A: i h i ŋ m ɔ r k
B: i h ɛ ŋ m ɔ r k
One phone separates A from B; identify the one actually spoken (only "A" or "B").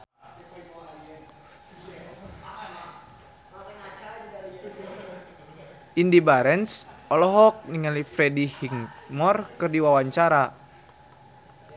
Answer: A